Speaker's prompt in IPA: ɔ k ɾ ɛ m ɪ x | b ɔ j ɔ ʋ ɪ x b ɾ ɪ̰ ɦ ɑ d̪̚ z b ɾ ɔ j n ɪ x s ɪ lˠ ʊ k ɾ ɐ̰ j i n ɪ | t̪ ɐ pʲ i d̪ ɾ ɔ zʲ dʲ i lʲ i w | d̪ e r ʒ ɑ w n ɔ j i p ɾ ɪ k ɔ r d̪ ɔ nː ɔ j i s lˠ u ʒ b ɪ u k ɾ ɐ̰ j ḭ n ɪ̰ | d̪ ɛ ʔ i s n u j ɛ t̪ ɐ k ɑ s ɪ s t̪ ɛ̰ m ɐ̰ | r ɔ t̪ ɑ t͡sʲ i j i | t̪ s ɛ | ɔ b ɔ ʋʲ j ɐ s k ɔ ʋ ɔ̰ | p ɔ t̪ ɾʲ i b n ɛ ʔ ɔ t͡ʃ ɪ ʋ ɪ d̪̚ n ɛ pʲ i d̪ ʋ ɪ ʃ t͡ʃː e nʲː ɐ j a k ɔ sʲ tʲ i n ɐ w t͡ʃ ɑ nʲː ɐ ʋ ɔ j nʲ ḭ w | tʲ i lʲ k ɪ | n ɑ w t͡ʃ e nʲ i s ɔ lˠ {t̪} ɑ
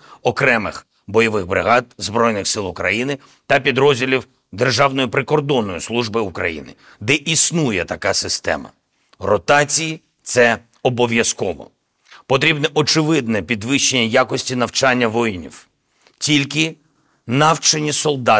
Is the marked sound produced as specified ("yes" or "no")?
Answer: no